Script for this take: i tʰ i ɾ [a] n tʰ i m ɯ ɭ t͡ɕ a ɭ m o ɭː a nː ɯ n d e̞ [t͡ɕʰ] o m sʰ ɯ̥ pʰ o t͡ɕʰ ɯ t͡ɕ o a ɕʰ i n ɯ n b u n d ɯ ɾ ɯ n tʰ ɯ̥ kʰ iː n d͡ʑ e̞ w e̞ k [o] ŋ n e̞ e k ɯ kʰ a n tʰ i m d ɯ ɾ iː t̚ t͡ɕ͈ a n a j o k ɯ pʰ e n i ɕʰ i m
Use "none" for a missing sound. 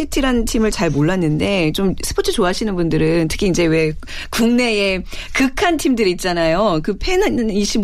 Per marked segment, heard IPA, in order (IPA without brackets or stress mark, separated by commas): a, t͡ɕ, u